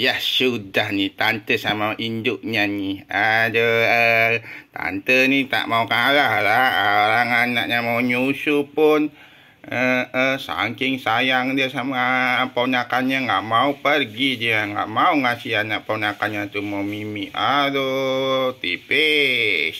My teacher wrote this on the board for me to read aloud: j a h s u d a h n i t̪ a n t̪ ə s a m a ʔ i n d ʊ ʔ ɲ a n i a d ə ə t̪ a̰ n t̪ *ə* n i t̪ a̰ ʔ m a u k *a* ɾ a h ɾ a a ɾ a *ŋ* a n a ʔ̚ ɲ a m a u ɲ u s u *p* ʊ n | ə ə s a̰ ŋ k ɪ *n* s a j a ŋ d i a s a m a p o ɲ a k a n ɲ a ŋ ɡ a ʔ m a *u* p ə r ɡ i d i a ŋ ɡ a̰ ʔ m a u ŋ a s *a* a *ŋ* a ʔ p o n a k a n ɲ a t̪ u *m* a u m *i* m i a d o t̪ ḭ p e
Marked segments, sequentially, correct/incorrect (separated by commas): correct, correct, correct, correct, incorrect, correct, incorrect, incorrect, correct, correct